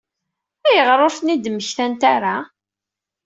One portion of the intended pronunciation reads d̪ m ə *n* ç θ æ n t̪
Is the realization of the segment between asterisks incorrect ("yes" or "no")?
yes